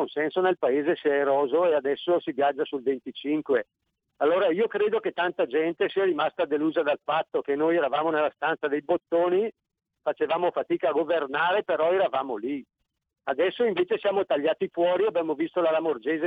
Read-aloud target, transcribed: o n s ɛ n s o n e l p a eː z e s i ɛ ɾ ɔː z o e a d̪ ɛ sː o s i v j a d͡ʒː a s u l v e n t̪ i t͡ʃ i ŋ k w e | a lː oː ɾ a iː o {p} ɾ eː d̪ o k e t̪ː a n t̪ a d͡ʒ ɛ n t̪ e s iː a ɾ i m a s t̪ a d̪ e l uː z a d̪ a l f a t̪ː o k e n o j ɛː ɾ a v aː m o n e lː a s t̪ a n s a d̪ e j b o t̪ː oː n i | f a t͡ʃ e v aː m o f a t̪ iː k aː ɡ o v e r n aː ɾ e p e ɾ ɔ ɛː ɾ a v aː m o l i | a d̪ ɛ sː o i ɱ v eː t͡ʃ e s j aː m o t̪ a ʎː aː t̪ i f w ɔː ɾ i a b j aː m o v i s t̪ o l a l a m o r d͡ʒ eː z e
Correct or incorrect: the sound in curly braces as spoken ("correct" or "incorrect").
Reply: incorrect